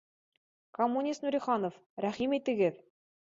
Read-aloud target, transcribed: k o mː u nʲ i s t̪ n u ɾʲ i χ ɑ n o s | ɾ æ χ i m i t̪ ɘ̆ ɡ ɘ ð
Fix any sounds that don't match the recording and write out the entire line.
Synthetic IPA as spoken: k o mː u nʲ i s t̪ n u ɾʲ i χ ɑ n o f | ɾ æ χ i m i t̪ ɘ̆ ɡ ɘ ð